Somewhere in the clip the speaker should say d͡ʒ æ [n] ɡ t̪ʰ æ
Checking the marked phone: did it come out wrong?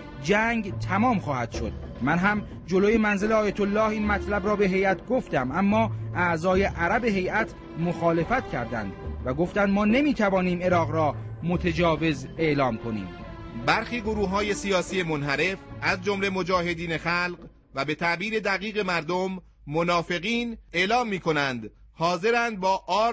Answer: yes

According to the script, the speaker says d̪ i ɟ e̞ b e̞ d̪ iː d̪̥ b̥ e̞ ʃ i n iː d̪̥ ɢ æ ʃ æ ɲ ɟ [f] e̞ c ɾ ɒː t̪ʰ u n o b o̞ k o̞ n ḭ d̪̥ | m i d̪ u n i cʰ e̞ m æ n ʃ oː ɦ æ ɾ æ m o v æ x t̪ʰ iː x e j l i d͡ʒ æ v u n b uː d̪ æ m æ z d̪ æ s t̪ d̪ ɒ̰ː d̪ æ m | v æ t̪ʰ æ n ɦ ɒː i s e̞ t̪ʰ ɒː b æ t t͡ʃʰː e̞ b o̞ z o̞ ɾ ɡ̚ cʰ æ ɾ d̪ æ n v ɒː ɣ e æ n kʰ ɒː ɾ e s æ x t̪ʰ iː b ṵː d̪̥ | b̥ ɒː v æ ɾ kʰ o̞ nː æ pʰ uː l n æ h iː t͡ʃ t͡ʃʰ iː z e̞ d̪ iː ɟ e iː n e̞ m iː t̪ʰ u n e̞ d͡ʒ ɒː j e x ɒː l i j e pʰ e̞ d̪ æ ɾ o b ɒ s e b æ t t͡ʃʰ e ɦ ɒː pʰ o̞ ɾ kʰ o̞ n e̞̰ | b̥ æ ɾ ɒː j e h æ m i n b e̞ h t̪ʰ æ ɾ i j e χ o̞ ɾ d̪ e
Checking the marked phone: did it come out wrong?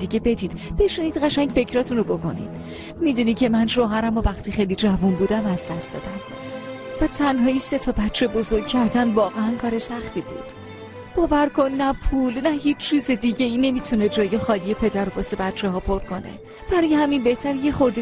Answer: no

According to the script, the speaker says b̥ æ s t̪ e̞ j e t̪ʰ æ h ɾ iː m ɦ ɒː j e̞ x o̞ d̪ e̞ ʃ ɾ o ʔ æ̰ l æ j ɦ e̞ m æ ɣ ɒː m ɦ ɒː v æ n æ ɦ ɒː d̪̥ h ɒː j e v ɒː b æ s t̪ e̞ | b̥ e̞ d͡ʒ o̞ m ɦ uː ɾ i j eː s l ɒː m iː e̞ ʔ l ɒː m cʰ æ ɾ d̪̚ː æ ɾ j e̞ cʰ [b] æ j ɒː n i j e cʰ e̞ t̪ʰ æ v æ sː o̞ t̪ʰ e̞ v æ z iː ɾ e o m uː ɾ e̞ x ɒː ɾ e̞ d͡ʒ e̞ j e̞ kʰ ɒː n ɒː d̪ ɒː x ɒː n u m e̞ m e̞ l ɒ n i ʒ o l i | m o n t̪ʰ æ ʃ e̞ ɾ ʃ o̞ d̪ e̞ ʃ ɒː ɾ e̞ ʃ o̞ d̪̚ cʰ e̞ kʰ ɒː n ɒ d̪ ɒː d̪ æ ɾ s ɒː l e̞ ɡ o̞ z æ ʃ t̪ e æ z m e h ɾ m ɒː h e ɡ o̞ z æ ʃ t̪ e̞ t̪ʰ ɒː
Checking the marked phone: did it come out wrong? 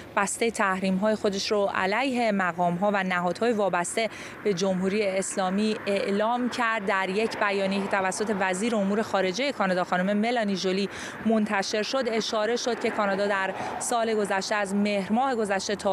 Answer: no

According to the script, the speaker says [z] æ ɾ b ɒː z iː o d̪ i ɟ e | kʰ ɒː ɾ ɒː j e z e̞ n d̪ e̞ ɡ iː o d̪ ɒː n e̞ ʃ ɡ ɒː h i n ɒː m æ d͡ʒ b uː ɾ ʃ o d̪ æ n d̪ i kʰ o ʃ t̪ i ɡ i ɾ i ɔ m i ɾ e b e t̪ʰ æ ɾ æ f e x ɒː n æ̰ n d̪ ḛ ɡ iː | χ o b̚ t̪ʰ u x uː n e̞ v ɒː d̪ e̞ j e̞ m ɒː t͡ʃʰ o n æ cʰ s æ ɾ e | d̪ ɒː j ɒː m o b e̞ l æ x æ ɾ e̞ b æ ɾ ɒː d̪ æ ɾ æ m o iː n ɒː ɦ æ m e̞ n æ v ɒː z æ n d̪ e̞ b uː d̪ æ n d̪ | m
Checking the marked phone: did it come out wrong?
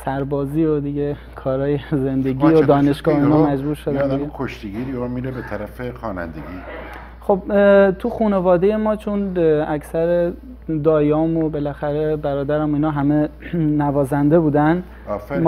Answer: yes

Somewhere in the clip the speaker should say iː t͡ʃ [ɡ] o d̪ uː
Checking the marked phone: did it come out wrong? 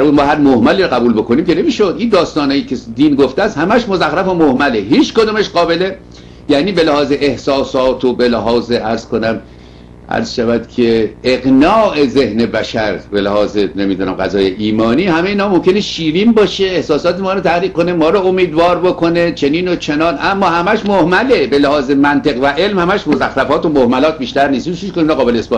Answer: yes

